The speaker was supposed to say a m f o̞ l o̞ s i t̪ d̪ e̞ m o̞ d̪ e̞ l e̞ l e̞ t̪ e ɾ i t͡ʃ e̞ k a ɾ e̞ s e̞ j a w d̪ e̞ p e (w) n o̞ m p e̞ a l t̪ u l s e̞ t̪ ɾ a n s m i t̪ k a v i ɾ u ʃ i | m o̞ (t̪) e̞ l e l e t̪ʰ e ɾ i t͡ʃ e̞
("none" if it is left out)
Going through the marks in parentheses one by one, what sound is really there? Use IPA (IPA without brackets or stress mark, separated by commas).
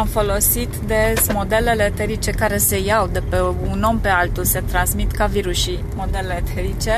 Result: u, d̪